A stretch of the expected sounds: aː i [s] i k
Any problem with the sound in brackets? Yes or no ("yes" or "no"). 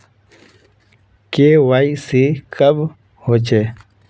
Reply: no